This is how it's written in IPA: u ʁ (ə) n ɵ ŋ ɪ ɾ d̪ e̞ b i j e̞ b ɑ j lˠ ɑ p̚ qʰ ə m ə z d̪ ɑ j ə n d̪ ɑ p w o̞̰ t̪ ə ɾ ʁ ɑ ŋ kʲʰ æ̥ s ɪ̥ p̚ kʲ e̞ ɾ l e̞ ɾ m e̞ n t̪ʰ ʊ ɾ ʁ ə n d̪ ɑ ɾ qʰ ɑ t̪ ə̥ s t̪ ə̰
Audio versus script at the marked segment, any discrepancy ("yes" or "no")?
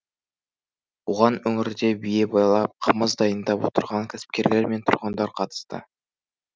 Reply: yes